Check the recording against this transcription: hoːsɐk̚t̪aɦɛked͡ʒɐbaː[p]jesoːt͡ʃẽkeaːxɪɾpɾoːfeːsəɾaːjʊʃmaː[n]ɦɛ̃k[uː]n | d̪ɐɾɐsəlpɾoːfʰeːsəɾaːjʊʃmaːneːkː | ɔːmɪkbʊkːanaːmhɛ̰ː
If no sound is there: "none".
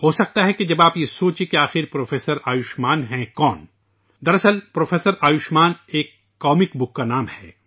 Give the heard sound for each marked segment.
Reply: p, n, ɔː

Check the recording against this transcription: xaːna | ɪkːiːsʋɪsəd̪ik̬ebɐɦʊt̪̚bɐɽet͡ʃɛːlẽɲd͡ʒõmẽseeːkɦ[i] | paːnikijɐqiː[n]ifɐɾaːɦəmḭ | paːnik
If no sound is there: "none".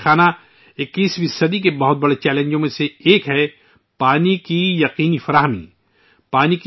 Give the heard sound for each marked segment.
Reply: ɛ, n

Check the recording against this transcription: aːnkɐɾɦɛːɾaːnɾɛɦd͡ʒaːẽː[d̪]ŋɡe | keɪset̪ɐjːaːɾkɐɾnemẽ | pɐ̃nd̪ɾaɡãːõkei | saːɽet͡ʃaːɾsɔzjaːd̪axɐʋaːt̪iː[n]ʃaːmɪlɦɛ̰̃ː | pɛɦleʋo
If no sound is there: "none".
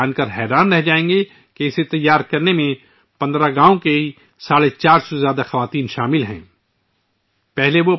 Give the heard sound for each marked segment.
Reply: none, n

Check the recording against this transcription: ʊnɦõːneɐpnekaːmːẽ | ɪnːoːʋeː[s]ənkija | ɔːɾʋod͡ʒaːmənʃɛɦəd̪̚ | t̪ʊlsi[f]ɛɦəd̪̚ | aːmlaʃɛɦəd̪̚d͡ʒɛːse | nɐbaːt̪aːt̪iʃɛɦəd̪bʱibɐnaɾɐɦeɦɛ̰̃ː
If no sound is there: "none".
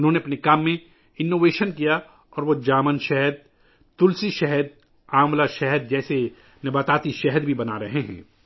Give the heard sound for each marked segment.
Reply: ʃ, ʃ

